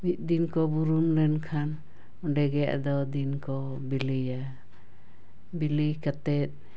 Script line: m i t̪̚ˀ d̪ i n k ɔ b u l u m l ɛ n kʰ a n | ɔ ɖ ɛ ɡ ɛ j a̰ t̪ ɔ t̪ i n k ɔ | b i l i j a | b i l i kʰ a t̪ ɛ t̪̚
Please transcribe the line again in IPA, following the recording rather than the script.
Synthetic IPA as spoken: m i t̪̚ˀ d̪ i n k ɔ b u ɾ u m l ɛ n kʰ a n | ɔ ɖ ɛ ɡ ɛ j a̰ d̪ ɔ d̪ i n k ɔ | b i l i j a | b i l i k a t̪ ɛ t̪̚